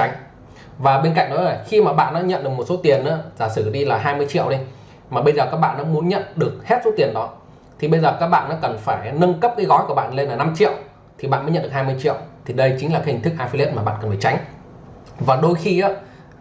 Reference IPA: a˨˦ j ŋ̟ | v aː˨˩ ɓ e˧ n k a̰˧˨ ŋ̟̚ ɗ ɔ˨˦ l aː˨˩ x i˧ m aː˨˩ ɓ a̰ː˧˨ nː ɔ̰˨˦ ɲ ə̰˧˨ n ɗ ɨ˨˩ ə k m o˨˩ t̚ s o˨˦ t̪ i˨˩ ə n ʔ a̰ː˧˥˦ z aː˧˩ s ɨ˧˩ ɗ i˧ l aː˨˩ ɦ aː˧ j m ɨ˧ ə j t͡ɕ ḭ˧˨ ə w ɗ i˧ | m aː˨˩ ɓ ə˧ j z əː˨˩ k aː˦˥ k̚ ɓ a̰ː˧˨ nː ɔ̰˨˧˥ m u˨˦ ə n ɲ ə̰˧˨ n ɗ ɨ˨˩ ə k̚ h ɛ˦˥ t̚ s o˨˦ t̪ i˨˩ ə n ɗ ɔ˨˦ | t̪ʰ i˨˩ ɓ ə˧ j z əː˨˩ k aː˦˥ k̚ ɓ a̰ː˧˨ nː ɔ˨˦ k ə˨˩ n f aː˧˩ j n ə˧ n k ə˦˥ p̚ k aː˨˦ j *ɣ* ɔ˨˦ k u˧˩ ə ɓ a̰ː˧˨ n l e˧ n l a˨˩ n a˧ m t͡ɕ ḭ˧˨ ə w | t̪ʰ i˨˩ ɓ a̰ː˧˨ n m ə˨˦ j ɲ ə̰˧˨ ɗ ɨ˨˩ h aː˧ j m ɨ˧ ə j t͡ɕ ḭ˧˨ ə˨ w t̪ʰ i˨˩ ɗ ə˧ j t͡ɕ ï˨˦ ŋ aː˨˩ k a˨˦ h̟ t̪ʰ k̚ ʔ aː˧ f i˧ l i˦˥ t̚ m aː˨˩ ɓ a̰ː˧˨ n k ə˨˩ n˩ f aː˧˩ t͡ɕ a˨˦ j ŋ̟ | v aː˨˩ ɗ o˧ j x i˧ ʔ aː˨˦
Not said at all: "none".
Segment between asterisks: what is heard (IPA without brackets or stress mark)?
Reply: ɣ